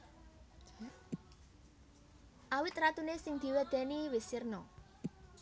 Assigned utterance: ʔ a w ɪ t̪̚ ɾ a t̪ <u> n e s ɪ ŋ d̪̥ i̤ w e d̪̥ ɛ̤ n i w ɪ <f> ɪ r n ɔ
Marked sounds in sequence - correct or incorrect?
correct, incorrect

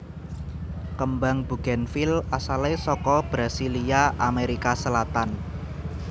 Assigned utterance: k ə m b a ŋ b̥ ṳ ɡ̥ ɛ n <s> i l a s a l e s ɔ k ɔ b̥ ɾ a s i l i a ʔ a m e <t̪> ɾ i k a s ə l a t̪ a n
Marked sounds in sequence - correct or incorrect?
incorrect, incorrect

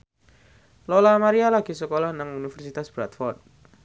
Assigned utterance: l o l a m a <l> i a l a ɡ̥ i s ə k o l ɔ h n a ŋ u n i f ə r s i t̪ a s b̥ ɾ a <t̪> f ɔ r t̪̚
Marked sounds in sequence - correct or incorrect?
incorrect, correct

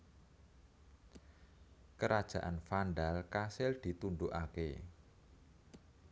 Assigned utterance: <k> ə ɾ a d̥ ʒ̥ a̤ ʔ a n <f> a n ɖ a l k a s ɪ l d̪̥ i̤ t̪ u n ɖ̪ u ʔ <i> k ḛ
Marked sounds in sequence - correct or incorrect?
correct, correct, incorrect

